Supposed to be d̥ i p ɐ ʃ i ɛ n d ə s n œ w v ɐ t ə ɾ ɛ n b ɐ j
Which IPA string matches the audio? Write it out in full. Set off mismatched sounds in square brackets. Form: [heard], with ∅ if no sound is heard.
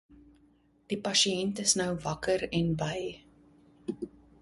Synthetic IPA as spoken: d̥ i p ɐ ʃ i ɛ n [t] ə s n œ w v ɐ [k] ə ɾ ɛ n b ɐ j